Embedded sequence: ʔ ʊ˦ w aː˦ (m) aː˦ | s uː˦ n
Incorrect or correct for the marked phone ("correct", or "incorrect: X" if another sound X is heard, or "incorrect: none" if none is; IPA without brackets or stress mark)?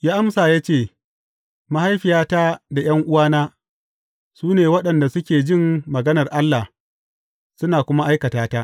incorrect: n